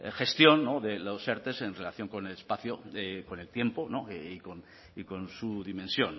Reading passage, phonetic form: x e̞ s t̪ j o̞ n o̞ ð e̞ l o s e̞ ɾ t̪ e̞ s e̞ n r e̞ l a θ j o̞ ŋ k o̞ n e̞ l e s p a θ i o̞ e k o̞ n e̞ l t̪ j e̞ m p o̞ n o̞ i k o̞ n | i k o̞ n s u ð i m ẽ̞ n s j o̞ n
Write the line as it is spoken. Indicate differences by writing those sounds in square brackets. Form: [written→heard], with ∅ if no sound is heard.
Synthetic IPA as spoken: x e̞ s t̪ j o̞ [n→nː] o̞ ð e̞ l o s e̞ ɾ t̪ e̞ s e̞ n r e̞ l a θ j o̞ ŋ k o̞ n e̞ l e s p a θ [i→j] o̞ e k o̞ n e̞ l t̪ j e̞ m p o̞ n o̞ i k o̞ n | i k o̞ n s u ð i m ẽ̞ n s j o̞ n